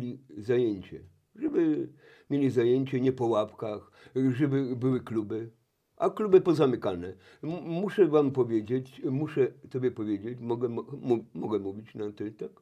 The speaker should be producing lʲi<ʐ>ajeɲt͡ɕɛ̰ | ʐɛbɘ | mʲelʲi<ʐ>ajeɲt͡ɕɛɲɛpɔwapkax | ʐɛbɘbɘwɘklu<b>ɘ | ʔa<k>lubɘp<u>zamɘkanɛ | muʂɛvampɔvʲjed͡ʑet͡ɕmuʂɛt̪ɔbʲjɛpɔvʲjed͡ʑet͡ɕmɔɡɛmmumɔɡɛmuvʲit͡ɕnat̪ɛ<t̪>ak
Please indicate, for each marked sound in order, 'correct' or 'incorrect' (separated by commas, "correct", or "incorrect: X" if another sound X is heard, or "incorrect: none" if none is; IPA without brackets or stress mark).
incorrect: z, incorrect: z, correct, correct, incorrect: ɔ, correct